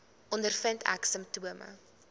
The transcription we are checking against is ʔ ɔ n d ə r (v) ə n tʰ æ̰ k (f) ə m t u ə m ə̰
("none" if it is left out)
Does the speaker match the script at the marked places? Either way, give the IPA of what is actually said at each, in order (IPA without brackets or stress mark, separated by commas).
f, s